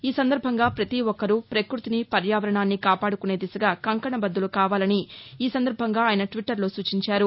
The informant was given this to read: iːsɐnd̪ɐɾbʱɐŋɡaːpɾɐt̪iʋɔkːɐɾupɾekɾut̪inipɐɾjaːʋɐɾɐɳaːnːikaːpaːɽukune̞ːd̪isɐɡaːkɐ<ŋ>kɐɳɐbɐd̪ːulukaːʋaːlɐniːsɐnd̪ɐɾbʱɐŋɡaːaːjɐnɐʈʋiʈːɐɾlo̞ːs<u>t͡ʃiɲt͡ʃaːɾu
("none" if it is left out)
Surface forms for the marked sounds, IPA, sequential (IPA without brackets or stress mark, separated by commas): ŋ, uː